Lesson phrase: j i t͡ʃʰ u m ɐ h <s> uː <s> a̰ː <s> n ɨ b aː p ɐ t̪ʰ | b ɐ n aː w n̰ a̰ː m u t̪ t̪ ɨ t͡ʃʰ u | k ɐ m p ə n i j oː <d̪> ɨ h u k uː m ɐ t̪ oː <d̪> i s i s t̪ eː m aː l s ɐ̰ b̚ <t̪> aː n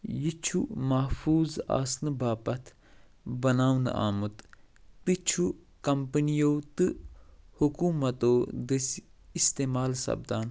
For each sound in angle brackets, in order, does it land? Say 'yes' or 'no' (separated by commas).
no, no, yes, no, yes, no